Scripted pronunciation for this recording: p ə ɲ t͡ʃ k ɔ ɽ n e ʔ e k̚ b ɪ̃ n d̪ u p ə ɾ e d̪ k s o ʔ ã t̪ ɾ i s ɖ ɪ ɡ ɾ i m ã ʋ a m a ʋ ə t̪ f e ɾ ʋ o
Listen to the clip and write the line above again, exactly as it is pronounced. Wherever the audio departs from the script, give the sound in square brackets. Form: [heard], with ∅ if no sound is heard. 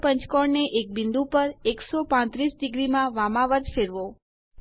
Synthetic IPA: p ə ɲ t͡ʃ k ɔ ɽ n e ʔ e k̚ b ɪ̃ n d̪ u p ə ɾ e [∅] k s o [p] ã t̪ ɾ i s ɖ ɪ ɡ ɾ i m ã ʋ a m a ʋ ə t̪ f e ɾ ʋ o